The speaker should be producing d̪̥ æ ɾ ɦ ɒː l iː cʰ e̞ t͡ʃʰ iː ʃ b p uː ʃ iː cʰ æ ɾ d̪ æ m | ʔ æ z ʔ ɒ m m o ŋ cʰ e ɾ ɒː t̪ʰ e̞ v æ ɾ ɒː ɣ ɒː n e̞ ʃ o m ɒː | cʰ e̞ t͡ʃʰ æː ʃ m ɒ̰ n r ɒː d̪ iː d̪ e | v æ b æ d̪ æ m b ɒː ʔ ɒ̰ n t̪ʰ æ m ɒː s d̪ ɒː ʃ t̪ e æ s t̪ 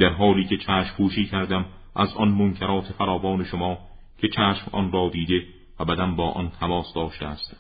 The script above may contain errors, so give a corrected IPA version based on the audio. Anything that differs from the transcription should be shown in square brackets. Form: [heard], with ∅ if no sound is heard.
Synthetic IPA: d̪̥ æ ɾ ɦ ɒː l iː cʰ e̞ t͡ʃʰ [æː] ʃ [m] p uː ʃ iː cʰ æ ɾ d̪ æ m | ʔ æ z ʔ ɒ [n] m o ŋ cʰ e ɾ ɒː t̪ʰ e̞ [f] æ ɾ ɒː [v] ɒː n e̞ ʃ o m ɒː | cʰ e̞ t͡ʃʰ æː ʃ m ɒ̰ n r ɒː d̪ iː d̪ e | v æ b æ d̪ æ m b ɒː ʔ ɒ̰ n t̪ʰ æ m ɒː s d̪ ɒː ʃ t̪ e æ s t̪